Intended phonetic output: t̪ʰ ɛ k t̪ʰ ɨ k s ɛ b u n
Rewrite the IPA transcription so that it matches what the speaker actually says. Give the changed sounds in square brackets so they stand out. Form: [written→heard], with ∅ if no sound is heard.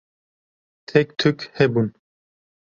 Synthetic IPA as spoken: t̪ʰ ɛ k t̪ʰ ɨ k [s→h] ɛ b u n